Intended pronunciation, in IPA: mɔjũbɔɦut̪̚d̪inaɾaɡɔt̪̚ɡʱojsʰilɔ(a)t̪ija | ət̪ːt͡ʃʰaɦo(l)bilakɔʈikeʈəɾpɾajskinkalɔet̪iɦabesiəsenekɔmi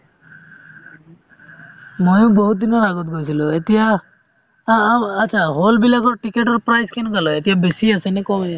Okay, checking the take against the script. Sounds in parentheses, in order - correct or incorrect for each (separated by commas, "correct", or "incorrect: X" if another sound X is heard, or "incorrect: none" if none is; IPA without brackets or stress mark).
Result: incorrect: e, correct